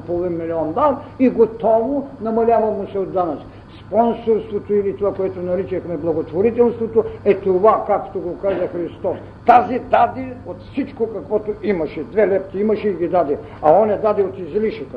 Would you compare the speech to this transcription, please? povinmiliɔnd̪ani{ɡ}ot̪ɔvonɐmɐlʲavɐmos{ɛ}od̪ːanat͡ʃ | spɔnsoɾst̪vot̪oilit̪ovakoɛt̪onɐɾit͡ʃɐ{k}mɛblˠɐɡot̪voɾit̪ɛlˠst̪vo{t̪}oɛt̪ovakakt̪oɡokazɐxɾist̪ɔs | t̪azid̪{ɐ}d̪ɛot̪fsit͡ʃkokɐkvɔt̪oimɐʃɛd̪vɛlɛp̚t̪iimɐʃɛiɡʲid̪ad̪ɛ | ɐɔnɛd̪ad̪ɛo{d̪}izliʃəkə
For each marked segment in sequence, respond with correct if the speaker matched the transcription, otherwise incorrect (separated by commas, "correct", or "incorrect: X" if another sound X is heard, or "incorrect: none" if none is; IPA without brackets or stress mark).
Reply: correct, correct, incorrect: x, correct, incorrect: a, incorrect: t̪